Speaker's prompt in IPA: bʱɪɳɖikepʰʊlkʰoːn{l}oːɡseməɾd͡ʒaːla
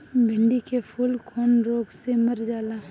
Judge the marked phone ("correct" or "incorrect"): incorrect